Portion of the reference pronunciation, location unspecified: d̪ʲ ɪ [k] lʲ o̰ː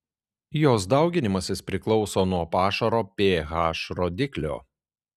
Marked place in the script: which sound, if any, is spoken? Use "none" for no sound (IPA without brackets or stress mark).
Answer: k